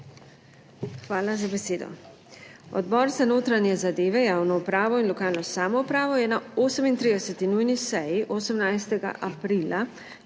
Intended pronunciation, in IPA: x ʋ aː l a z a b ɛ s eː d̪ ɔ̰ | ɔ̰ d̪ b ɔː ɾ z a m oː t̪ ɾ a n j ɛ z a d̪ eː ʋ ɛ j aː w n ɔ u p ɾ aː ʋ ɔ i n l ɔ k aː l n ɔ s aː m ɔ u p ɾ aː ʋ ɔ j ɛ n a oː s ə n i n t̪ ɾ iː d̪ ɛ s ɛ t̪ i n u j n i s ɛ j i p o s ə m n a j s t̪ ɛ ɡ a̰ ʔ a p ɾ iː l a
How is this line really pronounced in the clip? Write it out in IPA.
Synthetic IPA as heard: x ʋ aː l a z a b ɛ s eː d̪ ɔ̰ | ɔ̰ d̪ b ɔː ɾ z a n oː t̪ ɾ a n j ɛ z a d̪ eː ʋ ɛ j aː w n ɔ u p ɾ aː ʋ ɔ i n l ɔ k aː l n ɔ s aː m ɔ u p ɾ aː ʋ ɔ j ɛ n a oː s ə m i n t̪ ɾ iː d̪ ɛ s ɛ t̪ i n u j n i s ɛ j i ʔ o s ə m n a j s t̪ ɛ ɡ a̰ ʔ a p ɾ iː l a